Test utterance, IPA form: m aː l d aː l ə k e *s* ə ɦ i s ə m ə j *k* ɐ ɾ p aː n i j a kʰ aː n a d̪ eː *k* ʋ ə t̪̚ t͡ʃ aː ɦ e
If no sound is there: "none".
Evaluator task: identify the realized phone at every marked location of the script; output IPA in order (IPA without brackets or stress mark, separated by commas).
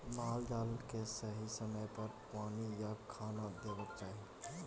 s, p, none